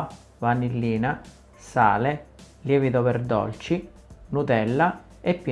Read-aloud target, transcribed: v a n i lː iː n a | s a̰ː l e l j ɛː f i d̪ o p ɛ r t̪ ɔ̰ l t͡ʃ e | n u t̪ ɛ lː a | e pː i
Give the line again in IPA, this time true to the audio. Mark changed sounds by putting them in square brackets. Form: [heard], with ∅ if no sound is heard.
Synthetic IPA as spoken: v a n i lː iː n a | s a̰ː l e l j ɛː [v] i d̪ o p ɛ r [d̪] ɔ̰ l t͡ʃ [i] | n u t̪ ɛ lː a | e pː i